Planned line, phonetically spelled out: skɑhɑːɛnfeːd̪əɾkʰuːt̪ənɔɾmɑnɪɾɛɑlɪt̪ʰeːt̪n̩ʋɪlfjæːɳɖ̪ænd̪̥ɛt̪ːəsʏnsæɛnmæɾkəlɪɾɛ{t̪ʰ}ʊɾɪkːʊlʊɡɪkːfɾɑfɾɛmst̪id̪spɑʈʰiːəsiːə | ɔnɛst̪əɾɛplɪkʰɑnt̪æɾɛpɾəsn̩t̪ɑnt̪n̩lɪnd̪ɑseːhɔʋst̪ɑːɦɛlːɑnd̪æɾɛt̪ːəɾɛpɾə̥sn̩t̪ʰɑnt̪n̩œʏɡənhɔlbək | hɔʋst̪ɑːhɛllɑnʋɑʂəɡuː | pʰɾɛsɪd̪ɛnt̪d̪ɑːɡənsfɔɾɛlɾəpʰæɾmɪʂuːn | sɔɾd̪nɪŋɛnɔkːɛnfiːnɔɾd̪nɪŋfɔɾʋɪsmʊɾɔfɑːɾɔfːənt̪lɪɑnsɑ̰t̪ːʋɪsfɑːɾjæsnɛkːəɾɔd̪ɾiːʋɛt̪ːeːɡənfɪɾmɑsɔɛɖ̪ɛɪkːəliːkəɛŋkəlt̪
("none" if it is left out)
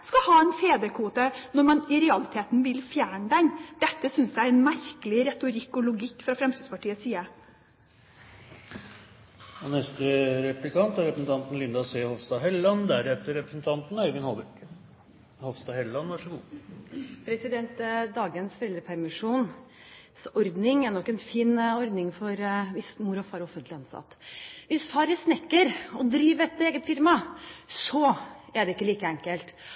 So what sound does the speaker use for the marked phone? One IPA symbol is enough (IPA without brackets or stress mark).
t̪